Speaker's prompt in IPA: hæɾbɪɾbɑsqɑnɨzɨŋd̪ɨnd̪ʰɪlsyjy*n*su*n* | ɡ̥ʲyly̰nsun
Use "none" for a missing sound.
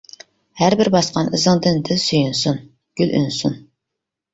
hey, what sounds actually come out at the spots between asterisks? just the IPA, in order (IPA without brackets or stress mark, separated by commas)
n, n